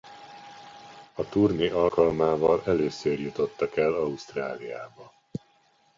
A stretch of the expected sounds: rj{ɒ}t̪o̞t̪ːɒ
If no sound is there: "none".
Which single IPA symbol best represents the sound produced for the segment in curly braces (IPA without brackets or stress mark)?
u